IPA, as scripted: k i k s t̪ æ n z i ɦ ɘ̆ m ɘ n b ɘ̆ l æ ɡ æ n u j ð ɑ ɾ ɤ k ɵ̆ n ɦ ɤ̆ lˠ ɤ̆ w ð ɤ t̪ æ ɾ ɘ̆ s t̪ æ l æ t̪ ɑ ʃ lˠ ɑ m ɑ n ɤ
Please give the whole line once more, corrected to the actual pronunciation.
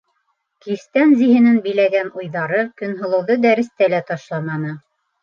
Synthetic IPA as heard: k i s t̪ æ n z i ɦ ɘ̆ n ɘ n b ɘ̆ l æ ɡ æ n u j ð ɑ ɾ ɤ k ɵ̆ n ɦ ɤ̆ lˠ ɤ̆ w ð ɤ d̪ æ ɾ ɘ̆ s t̪ æ l æ t̪ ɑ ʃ lˠ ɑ m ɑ n ɤ